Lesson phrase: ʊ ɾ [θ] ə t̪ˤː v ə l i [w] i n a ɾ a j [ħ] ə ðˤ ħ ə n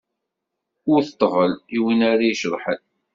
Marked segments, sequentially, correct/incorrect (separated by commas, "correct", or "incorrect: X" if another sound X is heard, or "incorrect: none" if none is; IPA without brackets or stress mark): correct, correct, incorrect: ʃ